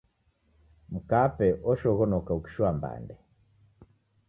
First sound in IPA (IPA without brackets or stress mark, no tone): m̩